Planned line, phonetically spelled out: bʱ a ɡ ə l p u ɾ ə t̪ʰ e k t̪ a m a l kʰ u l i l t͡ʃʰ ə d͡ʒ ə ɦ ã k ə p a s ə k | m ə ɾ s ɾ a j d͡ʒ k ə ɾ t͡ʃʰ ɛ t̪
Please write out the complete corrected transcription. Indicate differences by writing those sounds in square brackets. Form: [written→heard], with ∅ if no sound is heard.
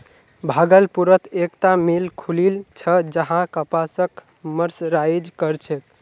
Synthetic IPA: bʱ a ɡ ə l p u ɾ ə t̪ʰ e k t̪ a m [a→i] l kʰ u l i l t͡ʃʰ ə d͡ʒ ə ɦ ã k ə p a s ə k | m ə ɾ s ɾ a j d͡ʒ k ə ɾ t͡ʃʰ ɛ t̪